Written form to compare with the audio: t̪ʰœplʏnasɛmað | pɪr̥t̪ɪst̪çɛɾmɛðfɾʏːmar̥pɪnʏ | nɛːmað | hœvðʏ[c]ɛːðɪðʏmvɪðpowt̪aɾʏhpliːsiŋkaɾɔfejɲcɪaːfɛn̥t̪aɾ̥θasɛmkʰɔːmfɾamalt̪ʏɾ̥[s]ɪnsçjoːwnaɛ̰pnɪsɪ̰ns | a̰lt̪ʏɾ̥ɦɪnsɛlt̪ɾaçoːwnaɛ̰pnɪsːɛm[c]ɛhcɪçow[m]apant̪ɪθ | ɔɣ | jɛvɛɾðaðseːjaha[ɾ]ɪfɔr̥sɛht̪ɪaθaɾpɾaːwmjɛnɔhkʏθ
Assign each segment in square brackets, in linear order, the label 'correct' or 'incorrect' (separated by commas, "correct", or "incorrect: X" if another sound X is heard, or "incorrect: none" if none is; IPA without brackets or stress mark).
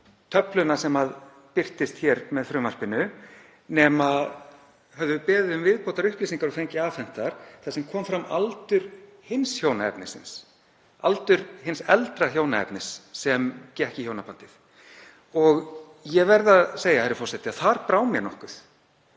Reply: incorrect: p, incorrect: h, correct, incorrect: n, correct